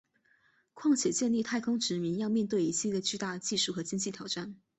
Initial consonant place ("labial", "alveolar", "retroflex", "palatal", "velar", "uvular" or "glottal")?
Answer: velar